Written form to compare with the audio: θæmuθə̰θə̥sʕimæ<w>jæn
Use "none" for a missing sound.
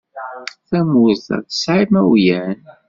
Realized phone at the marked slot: w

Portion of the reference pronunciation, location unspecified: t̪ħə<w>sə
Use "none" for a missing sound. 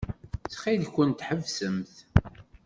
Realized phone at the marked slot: v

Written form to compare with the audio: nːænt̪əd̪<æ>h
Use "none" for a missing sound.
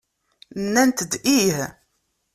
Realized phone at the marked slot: i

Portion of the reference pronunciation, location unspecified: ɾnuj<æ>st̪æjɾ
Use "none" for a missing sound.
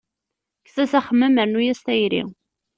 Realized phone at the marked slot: æ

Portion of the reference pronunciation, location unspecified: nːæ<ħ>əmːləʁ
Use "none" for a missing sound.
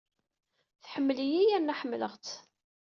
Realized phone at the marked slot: ħ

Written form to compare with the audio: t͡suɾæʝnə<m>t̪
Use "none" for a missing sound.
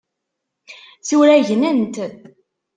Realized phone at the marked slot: n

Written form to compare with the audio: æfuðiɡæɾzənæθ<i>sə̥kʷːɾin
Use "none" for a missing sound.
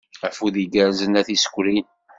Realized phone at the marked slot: i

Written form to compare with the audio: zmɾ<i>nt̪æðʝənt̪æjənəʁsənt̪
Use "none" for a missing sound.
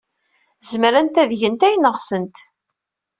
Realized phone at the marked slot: æ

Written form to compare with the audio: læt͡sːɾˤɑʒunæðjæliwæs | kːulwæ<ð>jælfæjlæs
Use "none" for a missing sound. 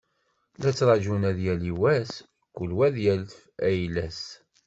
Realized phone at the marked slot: ð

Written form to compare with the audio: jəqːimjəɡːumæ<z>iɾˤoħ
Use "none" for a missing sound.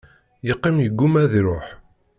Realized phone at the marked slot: ð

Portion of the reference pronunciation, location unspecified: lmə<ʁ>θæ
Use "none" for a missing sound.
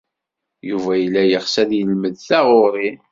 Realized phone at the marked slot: ð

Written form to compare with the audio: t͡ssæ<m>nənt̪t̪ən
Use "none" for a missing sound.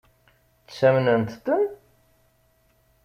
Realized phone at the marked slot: m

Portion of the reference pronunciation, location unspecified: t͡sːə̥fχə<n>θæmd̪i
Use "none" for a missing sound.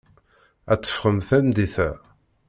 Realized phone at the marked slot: m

